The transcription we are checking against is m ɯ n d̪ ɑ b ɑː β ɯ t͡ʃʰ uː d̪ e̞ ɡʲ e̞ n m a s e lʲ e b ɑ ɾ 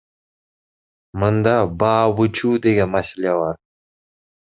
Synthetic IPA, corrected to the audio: m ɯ n d̪ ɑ b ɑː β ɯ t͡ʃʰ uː d̪ e̞ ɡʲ e̞ n m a s e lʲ e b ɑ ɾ